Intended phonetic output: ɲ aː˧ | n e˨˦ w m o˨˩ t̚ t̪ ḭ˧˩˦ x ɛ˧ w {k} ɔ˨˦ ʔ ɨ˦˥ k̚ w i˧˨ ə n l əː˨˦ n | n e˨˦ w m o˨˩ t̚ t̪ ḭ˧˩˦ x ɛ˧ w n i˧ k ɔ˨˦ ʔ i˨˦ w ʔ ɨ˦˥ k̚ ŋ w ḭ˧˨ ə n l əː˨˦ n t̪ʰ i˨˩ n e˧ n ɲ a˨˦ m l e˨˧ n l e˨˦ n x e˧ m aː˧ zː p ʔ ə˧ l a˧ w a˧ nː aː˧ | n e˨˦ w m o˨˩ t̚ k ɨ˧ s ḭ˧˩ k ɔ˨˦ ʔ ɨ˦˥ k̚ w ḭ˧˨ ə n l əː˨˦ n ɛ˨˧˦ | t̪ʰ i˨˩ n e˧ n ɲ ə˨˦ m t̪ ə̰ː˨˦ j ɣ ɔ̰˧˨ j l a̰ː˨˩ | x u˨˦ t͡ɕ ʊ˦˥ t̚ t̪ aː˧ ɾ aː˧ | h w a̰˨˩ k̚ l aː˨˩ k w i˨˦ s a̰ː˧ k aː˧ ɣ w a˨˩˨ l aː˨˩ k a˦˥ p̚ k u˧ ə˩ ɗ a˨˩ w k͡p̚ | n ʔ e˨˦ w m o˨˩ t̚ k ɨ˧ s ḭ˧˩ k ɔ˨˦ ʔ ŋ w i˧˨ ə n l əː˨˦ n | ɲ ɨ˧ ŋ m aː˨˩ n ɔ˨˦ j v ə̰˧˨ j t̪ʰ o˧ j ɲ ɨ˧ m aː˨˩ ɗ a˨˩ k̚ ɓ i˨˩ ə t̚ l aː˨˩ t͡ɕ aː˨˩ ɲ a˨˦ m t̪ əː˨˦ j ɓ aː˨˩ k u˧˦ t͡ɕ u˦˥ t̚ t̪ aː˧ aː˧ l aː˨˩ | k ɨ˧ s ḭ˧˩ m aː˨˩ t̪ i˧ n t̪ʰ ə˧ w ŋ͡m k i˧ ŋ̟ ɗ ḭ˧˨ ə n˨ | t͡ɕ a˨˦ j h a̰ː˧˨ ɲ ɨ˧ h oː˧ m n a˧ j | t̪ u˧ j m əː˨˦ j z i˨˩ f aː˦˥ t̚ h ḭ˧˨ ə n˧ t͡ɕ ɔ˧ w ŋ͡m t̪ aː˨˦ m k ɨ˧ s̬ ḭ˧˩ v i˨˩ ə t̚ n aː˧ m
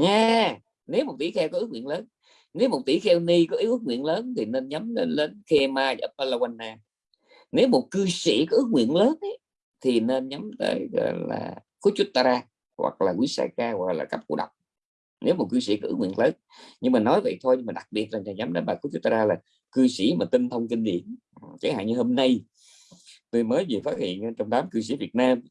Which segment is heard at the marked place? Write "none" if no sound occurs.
k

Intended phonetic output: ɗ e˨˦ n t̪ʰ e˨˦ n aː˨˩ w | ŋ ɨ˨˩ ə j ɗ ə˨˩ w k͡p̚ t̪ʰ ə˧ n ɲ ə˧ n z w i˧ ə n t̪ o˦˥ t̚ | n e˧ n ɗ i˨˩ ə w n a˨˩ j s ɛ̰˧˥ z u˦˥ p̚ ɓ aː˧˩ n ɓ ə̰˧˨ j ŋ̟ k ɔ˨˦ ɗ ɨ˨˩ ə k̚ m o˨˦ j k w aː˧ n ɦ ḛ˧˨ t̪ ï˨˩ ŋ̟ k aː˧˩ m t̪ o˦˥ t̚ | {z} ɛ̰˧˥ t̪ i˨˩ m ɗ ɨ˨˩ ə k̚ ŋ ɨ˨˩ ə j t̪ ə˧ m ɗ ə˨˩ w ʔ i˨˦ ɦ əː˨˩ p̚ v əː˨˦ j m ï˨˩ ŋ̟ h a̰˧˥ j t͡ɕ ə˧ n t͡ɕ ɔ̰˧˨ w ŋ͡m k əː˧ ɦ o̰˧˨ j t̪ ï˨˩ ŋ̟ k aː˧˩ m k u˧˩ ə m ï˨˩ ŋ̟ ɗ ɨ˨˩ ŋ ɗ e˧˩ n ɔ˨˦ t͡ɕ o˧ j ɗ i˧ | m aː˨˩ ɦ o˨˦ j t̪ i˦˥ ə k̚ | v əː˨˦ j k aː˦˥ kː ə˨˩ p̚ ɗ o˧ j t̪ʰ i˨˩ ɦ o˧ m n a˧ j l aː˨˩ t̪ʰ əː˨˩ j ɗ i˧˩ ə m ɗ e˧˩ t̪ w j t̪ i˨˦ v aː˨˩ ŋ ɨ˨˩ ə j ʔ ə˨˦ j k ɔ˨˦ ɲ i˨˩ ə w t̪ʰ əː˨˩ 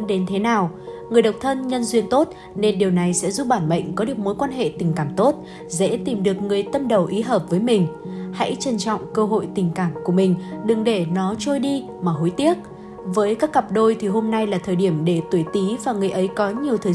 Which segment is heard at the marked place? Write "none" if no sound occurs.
z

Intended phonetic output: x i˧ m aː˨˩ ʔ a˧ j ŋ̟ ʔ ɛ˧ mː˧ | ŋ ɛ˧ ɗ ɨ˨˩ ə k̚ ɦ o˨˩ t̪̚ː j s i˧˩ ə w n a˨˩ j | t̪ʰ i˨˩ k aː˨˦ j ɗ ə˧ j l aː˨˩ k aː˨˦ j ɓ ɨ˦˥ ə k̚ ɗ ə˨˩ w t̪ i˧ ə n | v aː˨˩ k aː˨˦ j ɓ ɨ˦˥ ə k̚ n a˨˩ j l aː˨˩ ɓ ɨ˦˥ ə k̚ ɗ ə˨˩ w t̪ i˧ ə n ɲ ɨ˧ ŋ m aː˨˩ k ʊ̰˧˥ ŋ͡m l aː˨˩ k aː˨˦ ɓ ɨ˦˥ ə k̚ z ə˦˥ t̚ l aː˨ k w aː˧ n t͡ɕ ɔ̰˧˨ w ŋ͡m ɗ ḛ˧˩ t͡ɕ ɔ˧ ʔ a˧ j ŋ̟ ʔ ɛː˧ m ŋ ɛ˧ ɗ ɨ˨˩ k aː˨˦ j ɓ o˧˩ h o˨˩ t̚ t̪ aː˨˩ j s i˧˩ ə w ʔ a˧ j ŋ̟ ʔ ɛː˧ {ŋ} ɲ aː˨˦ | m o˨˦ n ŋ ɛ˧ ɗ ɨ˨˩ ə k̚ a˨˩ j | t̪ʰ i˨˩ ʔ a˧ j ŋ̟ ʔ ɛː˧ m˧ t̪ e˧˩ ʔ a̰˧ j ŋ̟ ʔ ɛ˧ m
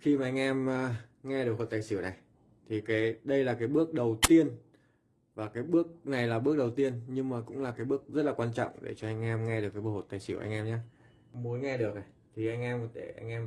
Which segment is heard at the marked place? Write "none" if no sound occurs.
m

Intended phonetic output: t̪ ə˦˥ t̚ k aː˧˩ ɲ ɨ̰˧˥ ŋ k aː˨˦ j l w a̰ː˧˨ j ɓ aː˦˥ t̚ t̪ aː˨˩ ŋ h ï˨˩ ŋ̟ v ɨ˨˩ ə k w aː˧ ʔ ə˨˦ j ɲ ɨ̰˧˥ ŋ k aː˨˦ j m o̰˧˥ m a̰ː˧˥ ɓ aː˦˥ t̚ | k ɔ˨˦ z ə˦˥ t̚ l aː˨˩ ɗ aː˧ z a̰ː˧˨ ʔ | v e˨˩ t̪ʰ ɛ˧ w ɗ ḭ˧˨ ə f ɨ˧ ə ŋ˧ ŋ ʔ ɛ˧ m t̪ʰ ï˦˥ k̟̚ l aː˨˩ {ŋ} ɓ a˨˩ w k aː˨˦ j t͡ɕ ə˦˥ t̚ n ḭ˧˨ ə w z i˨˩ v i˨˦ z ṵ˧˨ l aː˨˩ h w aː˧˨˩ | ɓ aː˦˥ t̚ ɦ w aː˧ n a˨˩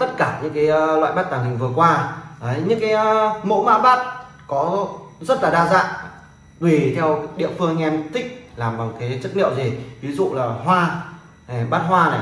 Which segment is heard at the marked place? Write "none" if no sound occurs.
m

